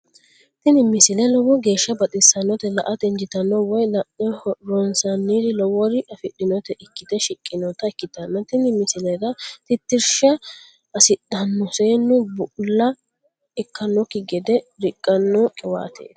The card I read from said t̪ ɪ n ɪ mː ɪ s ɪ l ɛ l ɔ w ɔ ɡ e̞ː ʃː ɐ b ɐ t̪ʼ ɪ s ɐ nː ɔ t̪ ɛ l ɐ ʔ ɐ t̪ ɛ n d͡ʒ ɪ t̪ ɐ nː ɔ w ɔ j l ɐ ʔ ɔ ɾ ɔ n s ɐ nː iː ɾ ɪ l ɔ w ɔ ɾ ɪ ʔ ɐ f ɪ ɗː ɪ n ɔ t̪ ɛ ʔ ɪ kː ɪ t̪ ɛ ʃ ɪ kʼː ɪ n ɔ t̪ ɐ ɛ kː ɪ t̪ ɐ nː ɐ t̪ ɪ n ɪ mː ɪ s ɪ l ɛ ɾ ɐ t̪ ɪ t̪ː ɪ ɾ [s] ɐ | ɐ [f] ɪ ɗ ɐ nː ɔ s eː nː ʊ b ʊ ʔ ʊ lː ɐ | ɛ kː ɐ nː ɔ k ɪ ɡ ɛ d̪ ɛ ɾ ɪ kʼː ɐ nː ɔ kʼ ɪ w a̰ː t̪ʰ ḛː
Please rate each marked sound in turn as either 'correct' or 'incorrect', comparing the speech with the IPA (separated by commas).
incorrect, incorrect